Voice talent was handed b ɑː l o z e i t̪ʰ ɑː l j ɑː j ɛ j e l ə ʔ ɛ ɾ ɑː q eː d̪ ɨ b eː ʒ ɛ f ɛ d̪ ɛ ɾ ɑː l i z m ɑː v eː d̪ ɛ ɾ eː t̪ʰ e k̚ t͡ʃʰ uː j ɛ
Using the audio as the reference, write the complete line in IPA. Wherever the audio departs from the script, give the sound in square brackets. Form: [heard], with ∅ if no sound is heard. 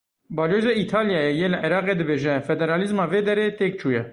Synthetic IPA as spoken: b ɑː l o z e i t̪ʰ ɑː l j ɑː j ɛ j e l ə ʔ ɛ ɾ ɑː q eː d̪ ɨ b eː ʒ ɛ f ɛ d̪ ɛ ɾ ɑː l i z m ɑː v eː d̪ ɛ ɾ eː [t̪] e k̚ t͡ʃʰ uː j ɛ